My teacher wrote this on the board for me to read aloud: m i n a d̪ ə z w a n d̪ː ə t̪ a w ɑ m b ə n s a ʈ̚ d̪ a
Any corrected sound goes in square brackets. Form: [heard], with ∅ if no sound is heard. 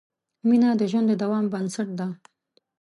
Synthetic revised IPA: m i n a d̪ ə [ʒ] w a n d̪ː ə [d̪] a w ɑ m b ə n s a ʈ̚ d̪ a